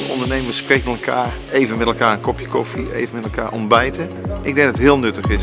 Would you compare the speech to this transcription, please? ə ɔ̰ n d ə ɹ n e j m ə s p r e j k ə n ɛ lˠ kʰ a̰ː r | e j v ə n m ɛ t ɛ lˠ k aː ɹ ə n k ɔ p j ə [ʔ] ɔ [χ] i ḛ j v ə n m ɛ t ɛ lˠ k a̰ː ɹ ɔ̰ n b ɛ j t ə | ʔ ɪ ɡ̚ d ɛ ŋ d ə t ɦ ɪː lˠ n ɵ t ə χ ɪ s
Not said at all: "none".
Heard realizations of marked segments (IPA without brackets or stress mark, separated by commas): k, f